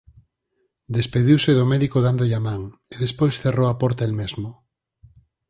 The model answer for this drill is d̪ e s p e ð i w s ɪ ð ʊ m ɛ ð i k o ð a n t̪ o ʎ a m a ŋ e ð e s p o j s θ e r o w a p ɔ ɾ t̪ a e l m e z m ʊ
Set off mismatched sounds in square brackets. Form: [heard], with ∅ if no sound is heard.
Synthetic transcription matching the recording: d̪ e s p e ð i w s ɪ ð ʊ m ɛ ð i k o ð a n [d̪] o ʎ a m a ŋ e ð e s p o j s θ e r o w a p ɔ ɾ t̪ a e l m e z m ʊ